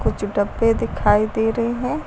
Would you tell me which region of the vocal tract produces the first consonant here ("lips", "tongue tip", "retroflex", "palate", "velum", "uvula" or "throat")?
velum